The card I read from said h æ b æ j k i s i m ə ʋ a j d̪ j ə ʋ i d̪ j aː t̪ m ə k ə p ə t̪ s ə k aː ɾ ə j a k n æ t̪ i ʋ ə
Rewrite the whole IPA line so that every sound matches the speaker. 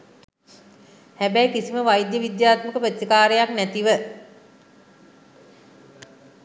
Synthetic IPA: h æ b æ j k i s i m ə ʋ a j d̪ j ə ʋ i d̪ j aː t̪ m ə k ə p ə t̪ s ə k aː ɾ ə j a k n æ t̪ i ʋ ə